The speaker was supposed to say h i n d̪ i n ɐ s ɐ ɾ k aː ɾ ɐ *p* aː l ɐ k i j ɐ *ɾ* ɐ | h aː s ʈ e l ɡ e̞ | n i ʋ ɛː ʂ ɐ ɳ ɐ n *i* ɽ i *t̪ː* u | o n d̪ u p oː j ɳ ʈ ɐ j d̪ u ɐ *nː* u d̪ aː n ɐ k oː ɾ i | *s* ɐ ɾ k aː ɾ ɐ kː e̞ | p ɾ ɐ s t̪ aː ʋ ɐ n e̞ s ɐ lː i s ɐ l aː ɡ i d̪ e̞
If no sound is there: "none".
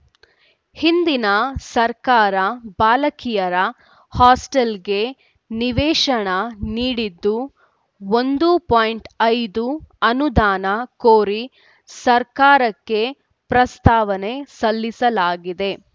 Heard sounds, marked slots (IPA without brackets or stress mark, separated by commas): b, ɾ, iː, d̪ː, n, s